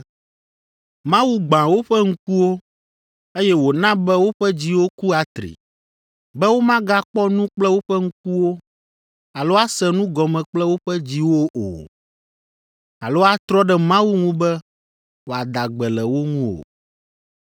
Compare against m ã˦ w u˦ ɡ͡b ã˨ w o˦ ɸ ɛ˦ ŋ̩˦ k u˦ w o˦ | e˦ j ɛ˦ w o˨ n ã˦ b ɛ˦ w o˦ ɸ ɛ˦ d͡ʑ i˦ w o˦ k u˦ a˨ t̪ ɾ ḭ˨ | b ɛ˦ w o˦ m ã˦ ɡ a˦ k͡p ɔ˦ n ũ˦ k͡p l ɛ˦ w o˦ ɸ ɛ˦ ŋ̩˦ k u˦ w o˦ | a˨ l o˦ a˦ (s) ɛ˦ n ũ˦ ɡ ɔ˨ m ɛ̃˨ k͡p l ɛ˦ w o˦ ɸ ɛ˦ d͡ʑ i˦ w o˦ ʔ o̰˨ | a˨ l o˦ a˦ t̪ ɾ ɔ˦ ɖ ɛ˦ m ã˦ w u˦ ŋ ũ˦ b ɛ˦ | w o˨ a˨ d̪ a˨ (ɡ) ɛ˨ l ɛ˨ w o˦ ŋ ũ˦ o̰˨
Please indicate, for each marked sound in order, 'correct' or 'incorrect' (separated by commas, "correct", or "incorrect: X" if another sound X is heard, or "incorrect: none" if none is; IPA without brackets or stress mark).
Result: correct, incorrect: ɡ͡b